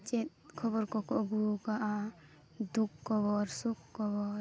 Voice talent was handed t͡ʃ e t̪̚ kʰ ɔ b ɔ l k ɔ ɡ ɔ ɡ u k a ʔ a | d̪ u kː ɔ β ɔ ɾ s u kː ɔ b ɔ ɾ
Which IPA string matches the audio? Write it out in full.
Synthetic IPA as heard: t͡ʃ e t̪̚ kʰ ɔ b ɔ ɾ k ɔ k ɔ ɡ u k a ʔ a | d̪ u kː ɔ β ɔ ɾ s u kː ɔ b ɔ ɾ